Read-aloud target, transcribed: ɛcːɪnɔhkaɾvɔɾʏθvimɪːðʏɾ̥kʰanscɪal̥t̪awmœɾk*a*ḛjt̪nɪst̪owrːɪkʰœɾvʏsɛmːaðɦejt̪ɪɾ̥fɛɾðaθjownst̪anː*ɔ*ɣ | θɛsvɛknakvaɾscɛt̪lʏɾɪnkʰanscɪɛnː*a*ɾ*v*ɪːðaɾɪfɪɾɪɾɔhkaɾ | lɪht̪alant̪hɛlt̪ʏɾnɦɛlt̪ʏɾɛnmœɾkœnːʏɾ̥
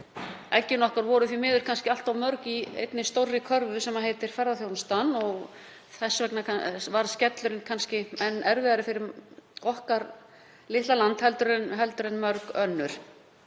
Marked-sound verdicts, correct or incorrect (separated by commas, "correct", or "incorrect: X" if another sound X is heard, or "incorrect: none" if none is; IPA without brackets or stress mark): incorrect: i, correct, incorrect: ɛ, correct